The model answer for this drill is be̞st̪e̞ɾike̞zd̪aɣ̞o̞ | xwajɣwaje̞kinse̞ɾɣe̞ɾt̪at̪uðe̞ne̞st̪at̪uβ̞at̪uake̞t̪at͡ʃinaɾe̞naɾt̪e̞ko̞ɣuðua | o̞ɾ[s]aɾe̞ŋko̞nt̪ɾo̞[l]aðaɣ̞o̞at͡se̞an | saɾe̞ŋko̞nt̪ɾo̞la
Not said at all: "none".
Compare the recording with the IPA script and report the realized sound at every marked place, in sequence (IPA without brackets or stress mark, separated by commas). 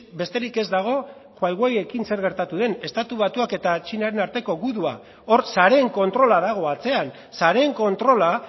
s, l